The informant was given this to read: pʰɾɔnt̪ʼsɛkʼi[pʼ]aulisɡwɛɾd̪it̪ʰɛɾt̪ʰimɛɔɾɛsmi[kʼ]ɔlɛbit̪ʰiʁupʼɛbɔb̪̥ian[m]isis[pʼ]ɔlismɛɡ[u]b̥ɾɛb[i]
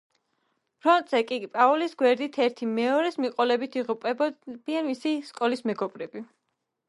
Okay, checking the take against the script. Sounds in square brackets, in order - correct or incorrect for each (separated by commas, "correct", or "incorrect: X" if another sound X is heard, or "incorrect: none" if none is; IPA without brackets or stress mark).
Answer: correct, incorrect: qʼ, correct, incorrect: kʼ, incorrect: ɔ, correct